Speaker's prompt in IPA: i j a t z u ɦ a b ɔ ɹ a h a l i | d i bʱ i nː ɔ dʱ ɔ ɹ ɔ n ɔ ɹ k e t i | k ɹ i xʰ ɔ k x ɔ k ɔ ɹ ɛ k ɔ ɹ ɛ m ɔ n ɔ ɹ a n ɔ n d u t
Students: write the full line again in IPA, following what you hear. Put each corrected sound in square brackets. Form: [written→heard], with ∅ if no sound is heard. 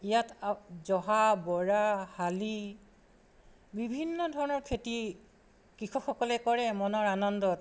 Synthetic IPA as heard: i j a t z [u→ɔ] ɦ a b ɔ ɹ a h a l i | [d→b] i bʱ i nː ɔ dʱ ɔ ɹ ɔ n ɔ ɹ [k→kʰ] e t i | k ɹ i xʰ ɔ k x ɔ k ɔ [ɹ→l] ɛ k ɔ ɹ ɛ m ɔ n ɔ ɹ a n ɔ n d [u→ɔ] t